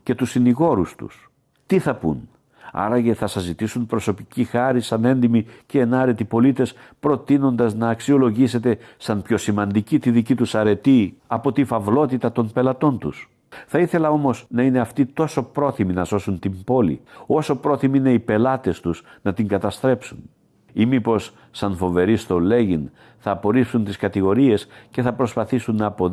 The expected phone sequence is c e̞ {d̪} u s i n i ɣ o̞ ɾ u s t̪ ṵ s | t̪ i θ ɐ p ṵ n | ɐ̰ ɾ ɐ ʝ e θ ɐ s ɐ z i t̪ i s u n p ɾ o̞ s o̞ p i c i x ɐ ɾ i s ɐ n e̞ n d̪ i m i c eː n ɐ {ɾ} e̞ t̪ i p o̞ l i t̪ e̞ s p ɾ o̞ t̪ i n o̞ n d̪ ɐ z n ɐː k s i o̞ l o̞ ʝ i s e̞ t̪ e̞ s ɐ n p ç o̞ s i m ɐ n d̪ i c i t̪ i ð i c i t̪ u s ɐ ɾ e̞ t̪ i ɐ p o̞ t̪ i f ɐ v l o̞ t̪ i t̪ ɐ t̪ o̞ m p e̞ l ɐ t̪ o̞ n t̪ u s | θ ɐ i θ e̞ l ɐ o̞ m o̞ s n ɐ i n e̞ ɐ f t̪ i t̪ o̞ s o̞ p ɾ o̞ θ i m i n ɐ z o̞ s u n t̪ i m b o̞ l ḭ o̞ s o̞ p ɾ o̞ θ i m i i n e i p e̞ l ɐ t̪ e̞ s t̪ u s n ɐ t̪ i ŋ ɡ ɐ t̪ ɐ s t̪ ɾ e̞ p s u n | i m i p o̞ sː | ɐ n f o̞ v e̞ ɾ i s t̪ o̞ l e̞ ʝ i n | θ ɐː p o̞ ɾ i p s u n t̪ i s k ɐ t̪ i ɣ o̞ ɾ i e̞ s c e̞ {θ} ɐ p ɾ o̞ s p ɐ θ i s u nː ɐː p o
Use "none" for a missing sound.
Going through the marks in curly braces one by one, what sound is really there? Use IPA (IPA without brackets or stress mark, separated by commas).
t̪, ɾ, θ